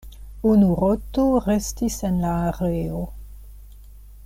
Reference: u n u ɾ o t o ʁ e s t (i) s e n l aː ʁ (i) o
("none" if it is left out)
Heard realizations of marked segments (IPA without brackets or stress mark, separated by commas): i, e